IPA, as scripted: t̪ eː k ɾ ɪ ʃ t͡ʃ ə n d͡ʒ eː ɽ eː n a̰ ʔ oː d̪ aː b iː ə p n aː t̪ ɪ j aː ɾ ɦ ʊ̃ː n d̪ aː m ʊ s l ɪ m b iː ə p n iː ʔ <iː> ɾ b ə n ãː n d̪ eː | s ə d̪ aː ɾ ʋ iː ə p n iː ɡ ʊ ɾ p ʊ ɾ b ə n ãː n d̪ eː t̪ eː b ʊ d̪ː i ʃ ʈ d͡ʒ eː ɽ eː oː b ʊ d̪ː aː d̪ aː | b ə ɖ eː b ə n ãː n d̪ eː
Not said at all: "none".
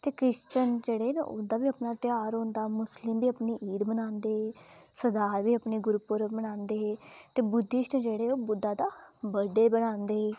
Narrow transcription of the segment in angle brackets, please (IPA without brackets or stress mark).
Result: iː